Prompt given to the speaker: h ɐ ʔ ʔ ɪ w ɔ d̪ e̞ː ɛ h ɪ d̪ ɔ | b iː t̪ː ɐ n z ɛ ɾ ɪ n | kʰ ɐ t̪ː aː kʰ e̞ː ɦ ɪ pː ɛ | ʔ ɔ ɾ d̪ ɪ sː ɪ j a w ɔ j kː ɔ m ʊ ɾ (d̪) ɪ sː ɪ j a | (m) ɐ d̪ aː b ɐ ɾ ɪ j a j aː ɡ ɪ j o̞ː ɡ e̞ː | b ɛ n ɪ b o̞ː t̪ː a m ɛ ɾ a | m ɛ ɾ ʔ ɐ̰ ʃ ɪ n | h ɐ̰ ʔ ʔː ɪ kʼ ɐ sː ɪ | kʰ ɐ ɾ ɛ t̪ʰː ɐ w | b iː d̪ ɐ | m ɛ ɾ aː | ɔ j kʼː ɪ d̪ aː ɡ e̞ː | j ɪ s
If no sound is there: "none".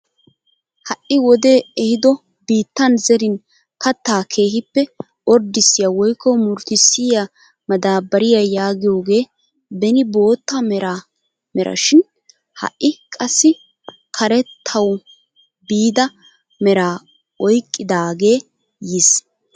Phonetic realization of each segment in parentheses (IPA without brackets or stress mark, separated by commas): t̪, m